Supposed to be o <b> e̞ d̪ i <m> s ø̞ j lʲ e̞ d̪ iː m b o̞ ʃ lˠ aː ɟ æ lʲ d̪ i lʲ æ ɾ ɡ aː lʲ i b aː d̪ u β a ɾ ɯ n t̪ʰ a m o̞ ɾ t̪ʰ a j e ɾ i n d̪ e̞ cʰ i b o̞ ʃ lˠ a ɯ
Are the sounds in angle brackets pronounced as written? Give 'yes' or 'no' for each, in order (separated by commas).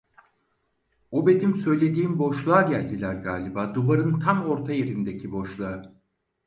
yes, yes